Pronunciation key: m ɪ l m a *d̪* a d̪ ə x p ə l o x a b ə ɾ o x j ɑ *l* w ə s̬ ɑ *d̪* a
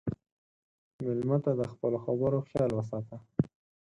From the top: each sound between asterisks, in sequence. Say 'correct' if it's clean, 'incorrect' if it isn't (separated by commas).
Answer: incorrect, correct, incorrect